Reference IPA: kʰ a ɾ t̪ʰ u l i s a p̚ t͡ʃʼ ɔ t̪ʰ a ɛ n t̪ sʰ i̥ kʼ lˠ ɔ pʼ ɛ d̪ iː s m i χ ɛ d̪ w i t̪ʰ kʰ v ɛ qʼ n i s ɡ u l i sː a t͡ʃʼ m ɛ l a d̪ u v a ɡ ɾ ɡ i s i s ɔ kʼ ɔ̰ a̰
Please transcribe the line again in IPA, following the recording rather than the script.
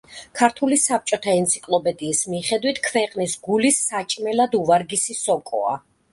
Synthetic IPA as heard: kʰ a ɾ t̪ʰ u l i s a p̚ t͡ʃʼ ɔ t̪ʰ a ɛ n t̪ sʰ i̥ kʼ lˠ ɔ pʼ ɛ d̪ iː s m i χ ɛ d̪ w i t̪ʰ kʰ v ɛ qʼ n i s ɡ u l i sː a t͡ʃʼ m ɛ l a d̪ u v a ɾ ɡ i s i s ɔ kʼ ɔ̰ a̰